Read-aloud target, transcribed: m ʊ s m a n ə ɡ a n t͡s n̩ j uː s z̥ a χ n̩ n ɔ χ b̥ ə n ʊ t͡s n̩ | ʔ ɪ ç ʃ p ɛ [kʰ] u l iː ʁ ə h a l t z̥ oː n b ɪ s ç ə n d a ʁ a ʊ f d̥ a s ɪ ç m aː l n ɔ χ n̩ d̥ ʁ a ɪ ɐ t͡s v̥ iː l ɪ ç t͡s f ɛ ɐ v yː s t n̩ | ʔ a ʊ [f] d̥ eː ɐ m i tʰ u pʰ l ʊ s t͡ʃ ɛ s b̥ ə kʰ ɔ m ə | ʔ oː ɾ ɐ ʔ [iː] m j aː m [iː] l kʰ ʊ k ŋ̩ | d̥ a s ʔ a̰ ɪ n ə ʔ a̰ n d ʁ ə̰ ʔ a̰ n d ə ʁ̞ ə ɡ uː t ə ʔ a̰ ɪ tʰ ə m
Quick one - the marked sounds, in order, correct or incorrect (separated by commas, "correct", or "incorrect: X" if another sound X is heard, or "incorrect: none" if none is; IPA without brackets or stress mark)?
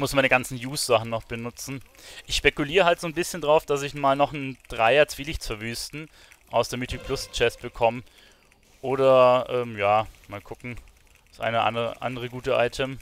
incorrect: k, incorrect: s, incorrect: ɛː, incorrect: aː